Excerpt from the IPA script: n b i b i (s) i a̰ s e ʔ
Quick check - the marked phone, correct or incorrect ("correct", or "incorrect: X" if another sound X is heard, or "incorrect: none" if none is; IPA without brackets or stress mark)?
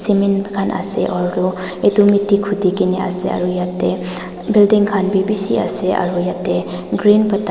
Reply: correct